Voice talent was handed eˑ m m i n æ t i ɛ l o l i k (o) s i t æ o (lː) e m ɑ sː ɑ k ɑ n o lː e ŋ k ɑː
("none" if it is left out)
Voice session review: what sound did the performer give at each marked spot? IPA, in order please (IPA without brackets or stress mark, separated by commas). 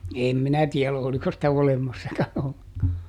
o, l